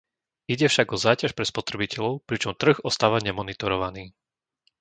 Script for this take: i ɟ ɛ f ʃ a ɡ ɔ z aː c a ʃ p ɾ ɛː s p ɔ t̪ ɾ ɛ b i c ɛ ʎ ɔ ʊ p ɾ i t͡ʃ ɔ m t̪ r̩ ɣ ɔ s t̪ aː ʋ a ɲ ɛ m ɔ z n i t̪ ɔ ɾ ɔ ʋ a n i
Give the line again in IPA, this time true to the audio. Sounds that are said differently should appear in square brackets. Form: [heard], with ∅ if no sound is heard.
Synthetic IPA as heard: i ɟ ɛ f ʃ a ɡ ɔ z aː c a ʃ p ɾ [ɛ] s p ɔ t̪ ɾ ɛ b i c ɛ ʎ ɔ ʊ p ɾ i t͡ʃ ɔ m t̪ r̩ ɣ ɔ s t̪ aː ʋ a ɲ ɛ m ɔ [∅] n i t̪ ɔ ɾ ɔ ʋ a n [iː]